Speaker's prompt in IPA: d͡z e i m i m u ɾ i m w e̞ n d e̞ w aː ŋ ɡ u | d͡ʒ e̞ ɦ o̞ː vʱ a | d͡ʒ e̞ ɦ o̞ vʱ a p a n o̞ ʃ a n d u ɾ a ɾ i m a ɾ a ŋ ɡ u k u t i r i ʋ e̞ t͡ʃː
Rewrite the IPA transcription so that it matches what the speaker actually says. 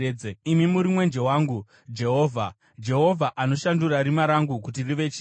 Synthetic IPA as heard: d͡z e i m i m u ɾ i m w e̞ n d͡ʒ e̞ w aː ŋ ɡ u | d͡ʒ e̞ ɦ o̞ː vʱ a | d͡ʒ e̞ ɦ o̞ vʱ a ʔ a n o̞ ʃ a n d u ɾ a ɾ i m a ɾ a ŋ ɡ u k u t i r i ʋ e̞ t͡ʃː

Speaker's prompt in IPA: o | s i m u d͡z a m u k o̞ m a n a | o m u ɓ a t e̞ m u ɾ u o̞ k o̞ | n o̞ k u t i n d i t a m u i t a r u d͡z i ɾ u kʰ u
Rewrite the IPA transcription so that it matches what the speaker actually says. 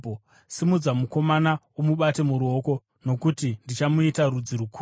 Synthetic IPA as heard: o | s i m u d͡z a m u k o̞ m a n a | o m u ɓ a t e̞ m u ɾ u o̞ k o̞ | n o̞ k u t i n d i t͡ʃ a m u i t a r u d͡z i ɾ u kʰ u

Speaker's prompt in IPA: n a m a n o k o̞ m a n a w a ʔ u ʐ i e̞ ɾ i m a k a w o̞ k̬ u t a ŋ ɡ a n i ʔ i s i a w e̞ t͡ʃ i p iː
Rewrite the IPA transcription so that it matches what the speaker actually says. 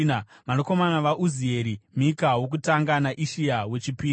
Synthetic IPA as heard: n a m a n o k o̞ m a n a ʋ a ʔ u z i e̞ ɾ i m i k a w o̞ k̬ u t a ŋ ɡ a n a ʔ i ʃ i a w e̞ t͡ʃ i p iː

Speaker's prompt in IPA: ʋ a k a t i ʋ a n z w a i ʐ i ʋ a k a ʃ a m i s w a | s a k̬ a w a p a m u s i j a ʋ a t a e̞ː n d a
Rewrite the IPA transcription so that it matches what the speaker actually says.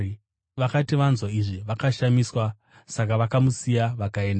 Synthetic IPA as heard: ʋ a k a t i ʋ a n z w a i ʐ i ʋ a k a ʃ a m i s w a | s a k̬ a ʋ a k a m u s i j a ʋ a k a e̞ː n d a

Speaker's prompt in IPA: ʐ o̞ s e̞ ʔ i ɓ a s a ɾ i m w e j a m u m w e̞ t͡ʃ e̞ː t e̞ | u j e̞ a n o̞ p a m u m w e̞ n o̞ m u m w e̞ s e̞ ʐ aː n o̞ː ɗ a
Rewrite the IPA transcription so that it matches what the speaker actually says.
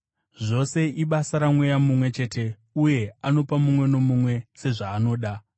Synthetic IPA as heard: ʐ o̞ s e̞ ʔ i ɓ a s a ɾ a m w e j a m u m w e̞ t͡ʃ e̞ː t e̞ | u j e̞ a n o̞ p a m u m w e̞ n o̞ m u m w e̞ s e̞ ʐ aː n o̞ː ɗ a

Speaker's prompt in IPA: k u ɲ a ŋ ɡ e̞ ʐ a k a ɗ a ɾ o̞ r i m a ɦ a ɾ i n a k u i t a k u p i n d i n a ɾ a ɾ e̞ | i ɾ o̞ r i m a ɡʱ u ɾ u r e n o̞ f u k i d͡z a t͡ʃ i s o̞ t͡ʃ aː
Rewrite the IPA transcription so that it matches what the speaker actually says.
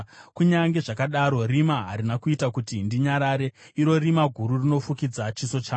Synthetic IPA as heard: k u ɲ a ŋ ɡ e̞ ʐ a k a ɗ a ɾ o̞ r i m a ɦ a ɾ i n a k u i t a k u t i n d i ɲ a ɾ a ɾ e̞ | i ɾ o̞ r i m a ɡʱ u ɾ u r i n o̞ f u k i d͡z a t͡ʃ i s o̞ t͡ʃ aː

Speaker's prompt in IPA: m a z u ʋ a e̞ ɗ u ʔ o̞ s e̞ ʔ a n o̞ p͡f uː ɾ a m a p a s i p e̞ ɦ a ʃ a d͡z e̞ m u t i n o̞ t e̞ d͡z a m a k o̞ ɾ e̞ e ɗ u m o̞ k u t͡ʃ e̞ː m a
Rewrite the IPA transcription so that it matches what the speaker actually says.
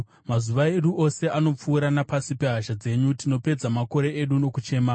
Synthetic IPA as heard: m a z u ʋ a e̞ ɗ u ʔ o̞ s e̞ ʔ a n o̞ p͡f uː ɾ a n a p a s i p e̞ ɦ a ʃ a d͡z e̞ ɲ u t i n o̞ p e̞ d͡z a m a k o̞ ɾ e̞ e ɗ u n o̞ k u t͡ʃ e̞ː m a

